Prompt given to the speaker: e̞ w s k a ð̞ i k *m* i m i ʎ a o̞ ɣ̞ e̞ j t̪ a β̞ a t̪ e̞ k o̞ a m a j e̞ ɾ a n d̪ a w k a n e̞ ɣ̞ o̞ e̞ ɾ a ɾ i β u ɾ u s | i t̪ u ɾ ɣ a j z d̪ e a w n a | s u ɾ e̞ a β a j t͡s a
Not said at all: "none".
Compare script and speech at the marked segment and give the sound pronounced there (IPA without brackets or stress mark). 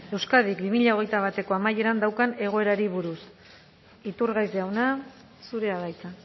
b